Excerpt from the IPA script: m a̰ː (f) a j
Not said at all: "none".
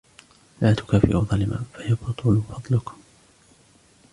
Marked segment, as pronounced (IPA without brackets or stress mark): f